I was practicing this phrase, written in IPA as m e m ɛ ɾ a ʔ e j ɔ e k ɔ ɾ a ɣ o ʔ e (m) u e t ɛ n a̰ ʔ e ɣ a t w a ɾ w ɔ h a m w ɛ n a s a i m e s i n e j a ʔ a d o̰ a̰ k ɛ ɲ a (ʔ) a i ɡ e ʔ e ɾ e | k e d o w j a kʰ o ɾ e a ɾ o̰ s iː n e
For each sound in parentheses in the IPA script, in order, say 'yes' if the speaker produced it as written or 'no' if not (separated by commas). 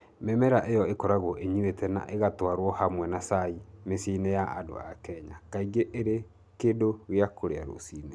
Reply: no, no